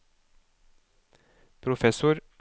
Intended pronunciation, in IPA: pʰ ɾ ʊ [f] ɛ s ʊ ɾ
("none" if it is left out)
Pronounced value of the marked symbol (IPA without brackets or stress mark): f